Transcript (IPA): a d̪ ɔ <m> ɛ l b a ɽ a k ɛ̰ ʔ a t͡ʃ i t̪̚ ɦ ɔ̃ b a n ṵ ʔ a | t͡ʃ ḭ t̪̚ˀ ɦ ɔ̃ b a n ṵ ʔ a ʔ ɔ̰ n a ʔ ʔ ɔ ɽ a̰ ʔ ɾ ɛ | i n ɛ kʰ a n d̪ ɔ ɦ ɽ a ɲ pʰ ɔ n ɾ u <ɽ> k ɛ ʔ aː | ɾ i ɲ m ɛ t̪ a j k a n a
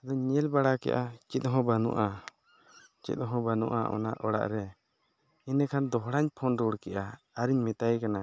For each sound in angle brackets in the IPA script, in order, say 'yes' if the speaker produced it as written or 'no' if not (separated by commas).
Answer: no, yes